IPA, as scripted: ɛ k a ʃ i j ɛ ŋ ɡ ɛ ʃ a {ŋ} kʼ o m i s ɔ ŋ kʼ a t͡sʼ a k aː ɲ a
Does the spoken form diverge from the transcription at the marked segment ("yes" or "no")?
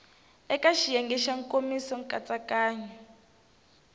no